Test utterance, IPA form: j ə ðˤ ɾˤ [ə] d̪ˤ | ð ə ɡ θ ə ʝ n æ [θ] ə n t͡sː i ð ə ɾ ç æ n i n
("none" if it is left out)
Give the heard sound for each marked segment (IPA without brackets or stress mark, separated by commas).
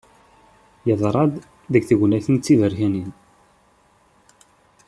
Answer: ɑ, θ